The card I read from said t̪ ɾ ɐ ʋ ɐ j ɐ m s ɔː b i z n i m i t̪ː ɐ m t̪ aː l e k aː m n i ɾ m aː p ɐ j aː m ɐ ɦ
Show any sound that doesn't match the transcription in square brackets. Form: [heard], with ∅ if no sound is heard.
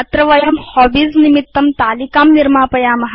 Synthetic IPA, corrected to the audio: t̪ ɾ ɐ ʋ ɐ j ɐ m [h] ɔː b i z n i m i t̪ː ɐ m t̪ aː l [i] k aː m n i ɾ m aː p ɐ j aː m ɐ ɦ